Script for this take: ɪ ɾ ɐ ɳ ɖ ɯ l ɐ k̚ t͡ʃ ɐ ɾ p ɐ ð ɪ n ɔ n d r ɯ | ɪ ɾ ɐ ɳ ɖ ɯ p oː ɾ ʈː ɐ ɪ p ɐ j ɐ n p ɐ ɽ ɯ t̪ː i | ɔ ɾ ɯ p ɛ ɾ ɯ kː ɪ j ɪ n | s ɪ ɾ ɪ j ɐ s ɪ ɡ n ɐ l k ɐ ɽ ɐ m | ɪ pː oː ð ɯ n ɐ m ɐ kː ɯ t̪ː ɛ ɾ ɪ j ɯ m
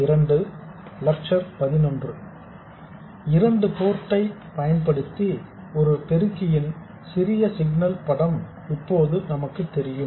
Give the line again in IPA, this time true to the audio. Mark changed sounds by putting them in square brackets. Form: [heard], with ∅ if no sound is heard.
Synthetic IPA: ɪ ɾ ɐ ɳ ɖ ɯ l ɐ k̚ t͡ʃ ɐ ɾ p ɐ ð ɪ n ɔ n d r ɯ | ɪ ɾ ɐ ɳ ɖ ɯ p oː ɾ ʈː ɐ ɪ p ɐ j ɐ n p ɐ ɽ ɯ t̪ː i | ɔ ɾ ɯ p ɛ ɾ ɯ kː ɪ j ɪ n | s ɪ ɾ ɪ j ɐ s ɪ ɡ n ɐ l [p] ɐ ɽ ɐ m | ɪ pː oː ð ɯ n ɐ m ɐ kː ɯ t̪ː ɛ ɾ ɪ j ɯ m

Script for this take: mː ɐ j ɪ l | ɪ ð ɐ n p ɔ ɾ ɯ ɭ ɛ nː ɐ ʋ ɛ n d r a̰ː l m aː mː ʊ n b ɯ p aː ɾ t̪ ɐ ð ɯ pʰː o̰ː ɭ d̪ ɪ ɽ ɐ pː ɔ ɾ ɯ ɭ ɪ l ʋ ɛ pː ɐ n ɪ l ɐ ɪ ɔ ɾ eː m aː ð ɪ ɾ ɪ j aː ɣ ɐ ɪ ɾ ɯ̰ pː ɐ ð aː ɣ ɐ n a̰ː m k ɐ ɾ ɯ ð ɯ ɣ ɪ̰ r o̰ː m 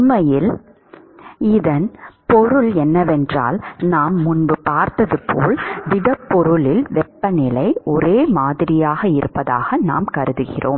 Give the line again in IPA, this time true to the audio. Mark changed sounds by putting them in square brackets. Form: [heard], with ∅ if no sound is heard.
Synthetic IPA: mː ɐ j ɪ l | ɪ ð ɐ n p ɔ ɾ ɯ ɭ ɛ nː ɐ ʋ ɛ n d r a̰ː l [n] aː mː ʊ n b ɯ p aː ɾ t̪ ɐ ð ɯ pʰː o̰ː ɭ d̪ ɪ ɽ ɐ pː ɔ ɾ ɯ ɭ ɪ l ʋ ɛ pː ɐ n ɪ l ɐ ɪ ɔ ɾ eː m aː ð ɪ ɾ ɪ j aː ɣ ɐ ɪ ɾ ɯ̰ pː ɐ ð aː ɣ ɐ n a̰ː m k ɐ ɾ ɯ ð ɯ ɣ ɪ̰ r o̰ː m

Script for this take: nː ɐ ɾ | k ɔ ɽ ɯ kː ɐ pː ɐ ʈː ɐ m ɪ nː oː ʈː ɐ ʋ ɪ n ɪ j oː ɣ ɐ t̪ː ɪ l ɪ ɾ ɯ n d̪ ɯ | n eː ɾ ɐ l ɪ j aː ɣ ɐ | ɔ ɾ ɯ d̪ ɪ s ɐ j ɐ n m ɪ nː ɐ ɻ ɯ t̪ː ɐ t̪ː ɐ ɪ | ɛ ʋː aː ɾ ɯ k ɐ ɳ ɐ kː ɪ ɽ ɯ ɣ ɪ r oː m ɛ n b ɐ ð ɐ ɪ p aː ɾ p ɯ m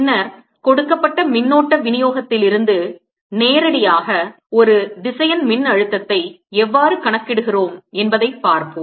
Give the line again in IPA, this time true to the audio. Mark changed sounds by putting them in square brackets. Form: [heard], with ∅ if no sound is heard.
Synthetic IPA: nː ɐ ɾ | k ɔ ɽ ɯ kː ɐ pː ɐ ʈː ɐ m ɪ nː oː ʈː ɐ ʋ ɪ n ɪ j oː ɣ ɐ t̪ː ɪ l ɪ ɾ ɯ n d̪ ɯ | n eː ɾ ɐ [ɽ] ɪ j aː ɣ ɐ | ɔ ɾ ɯ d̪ ɪ s ɐ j ɐ n m ɪ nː ɐ ɻ ɯ t̪ː ɐ t̪ː ɐ ɪ | ɛ ʋː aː ɾ ɯ k ɐ ɳ ɐ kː ɪ ɽ ɯ ɣ ɪ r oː m ɛ n b ɐ ð ɐ ɪ p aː ɾ p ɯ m

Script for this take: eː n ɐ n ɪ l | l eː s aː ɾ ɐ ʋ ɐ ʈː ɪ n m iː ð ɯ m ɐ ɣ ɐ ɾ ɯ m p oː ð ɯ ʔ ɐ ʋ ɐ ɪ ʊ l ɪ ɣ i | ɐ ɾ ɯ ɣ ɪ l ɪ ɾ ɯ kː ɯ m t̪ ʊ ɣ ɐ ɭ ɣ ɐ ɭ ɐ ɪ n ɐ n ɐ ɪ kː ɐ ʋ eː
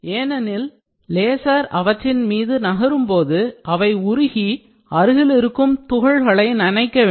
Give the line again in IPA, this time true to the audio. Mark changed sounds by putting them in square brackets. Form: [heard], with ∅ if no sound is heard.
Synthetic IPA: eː n ɐ n ɪ l | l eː s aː ɾ ɐ ʋ ɐ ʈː ɪ n m iː ð ɯ [n] ɐ ɣ ɐ ɾ ɯ m p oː ð ɯ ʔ ɐ ʋ ɐ ɪ ʊ [ɾ] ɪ ɣ i | ɐ ɾ ɯ ɣ ɪ l ɪ ɾ ɯ kː ɯ m t̪ ʊ ɣ ɐ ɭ ɣ ɐ ɭ ɐ ɪ n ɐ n ɐ ɪ kː ɐ ʋ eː

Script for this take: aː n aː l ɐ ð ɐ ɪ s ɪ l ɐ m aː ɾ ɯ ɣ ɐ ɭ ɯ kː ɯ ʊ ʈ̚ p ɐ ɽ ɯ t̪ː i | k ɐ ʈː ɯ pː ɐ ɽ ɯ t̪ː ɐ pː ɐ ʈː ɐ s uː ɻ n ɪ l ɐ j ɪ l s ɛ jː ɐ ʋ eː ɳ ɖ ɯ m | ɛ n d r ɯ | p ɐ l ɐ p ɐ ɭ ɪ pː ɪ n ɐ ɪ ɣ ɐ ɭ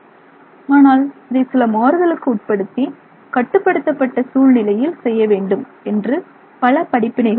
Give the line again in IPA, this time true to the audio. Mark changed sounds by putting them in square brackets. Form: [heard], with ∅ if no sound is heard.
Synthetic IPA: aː n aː l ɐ ð ɐ ɪ s ɪ l ɐ m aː ɾ ɯ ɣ ɐ ɭ ɯ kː ɯ ʊ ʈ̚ p ɐ ɽ ɯ t̪ː i | k ɐ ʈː ɯ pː ɐ ɽ ɯ t̪ː ɐ pː ɐ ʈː ɐ s uː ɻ n ɪ l ɐ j ɪ l s ɛ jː ɐ ʋ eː ɳ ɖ ɯ m | ɛ n d r ɯ | p ɐ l ɐ p ɐ [ɽ] ɪ pː ɪ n ɐ ɪ ɣ ɐ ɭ

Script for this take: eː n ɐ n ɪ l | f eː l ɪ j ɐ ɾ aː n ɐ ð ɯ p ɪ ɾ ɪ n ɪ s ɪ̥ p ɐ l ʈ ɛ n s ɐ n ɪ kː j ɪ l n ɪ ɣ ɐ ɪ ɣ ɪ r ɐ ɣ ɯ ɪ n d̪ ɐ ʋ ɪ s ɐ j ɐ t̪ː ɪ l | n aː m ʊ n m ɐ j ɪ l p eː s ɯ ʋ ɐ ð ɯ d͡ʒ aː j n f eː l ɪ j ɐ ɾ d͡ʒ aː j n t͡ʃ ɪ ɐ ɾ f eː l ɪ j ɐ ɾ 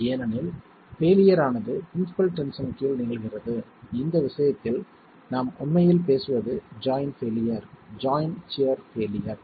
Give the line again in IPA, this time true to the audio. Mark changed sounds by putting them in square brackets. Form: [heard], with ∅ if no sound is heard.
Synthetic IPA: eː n ɐ n ɪ l | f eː l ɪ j ɐ ɾ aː n ɐ ð ɯ p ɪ ɾ ɪ n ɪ s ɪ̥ p ɐ l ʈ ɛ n s ɐ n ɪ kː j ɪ l n ɪ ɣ ɐ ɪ ɣ ɪ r ɐ [ð] ɯ ɪ n d̪ ɐ ʋ ɪ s ɐ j ɐ t̪ː ɪ l | n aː m ʊ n m ɐ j ɪ l p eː s ɯ ʋ ɐ ð ɯ d͡ʒ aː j n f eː l ɪ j ɐ ɾ d͡ʒ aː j n t͡ʃ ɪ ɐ ɾ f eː l ɪ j ɐ ɾ

